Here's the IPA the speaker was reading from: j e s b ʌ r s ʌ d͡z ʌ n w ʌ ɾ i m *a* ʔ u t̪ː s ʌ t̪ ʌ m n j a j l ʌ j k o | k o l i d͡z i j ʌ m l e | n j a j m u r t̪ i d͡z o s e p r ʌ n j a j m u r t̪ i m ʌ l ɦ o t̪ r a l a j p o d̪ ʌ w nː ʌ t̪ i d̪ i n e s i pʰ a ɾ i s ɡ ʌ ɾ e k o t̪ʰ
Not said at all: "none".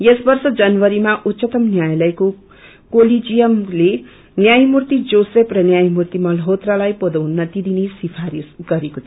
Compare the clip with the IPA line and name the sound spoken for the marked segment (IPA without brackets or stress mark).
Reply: a